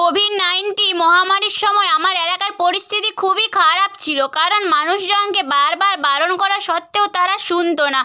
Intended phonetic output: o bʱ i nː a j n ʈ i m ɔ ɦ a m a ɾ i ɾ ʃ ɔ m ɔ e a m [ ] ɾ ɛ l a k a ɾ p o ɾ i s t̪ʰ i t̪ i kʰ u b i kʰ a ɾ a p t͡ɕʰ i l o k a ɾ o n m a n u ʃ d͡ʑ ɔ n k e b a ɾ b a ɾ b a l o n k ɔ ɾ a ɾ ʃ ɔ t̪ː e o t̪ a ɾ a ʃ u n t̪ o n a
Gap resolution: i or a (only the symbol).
a